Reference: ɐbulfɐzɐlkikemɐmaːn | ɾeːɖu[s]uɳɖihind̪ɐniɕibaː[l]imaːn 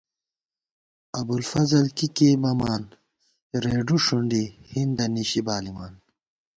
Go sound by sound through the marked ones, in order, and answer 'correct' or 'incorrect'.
incorrect, correct

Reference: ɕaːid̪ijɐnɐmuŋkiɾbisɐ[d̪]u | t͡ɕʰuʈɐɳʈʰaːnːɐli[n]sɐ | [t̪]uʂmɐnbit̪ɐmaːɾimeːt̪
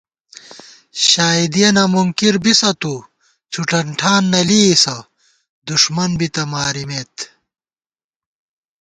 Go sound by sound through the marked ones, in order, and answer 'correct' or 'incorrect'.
incorrect, incorrect, incorrect

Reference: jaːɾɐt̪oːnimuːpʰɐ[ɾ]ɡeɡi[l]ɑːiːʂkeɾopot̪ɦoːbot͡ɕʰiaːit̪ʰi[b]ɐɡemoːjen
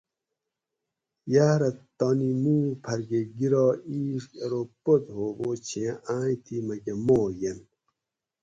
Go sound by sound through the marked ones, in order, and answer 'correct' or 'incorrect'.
correct, incorrect, incorrect

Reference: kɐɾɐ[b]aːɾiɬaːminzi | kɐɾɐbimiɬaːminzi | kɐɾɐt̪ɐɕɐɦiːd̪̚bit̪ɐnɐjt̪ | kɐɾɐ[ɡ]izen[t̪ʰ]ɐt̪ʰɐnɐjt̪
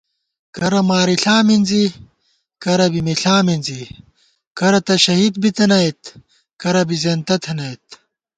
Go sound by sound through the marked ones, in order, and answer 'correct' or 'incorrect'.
incorrect, incorrect, incorrect

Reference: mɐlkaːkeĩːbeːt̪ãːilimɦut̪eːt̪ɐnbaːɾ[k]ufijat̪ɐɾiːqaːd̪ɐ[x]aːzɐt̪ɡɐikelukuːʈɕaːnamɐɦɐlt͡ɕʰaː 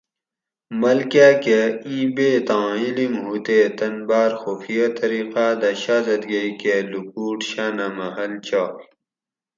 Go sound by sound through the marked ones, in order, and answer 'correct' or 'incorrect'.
incorrect, incorrect

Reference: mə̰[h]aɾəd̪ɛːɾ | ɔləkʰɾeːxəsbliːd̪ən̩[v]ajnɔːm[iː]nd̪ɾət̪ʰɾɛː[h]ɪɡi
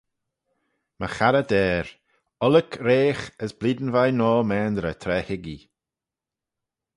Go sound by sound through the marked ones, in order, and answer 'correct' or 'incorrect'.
incorrect, correct, incorrect, correct

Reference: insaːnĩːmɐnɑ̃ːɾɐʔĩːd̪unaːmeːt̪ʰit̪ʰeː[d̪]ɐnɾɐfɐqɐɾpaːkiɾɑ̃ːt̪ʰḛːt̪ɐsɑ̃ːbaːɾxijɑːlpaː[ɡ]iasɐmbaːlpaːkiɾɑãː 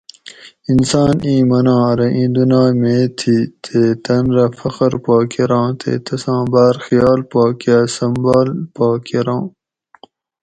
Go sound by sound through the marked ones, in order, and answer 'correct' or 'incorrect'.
incorrect, incorrect

